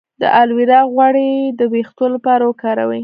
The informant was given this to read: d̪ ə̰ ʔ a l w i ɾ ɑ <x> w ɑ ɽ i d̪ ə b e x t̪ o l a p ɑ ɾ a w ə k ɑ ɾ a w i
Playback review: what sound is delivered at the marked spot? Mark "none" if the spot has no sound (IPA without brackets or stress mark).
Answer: ɣ